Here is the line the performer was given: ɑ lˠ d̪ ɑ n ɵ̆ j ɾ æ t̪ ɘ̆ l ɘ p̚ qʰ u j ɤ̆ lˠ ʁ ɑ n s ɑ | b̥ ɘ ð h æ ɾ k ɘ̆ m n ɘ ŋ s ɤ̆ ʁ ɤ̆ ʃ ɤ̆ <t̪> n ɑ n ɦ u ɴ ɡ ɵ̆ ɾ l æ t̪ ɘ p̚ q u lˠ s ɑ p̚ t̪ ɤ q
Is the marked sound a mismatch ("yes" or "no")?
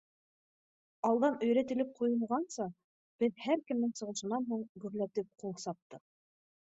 yes